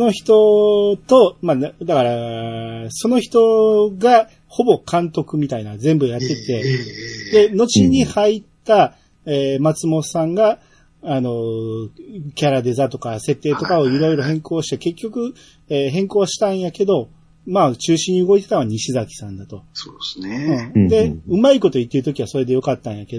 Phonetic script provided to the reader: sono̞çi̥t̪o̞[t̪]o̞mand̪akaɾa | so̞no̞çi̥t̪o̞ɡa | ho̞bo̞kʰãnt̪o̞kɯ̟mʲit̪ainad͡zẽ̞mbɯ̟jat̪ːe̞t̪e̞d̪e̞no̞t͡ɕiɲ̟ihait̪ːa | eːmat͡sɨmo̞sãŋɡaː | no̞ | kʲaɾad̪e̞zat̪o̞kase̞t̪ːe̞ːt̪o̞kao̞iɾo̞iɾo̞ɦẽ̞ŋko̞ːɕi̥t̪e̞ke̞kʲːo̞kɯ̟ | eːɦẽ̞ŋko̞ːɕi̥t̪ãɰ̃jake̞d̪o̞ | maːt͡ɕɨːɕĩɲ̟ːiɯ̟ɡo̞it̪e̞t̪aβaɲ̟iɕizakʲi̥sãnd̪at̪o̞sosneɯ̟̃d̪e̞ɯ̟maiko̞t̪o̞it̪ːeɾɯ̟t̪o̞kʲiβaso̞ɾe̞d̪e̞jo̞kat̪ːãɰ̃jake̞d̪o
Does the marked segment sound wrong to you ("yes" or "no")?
no